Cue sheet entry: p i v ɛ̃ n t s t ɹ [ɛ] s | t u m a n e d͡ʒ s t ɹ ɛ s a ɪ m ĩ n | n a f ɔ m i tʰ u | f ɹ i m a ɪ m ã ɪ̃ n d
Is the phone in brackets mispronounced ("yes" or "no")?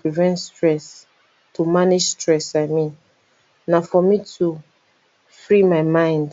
no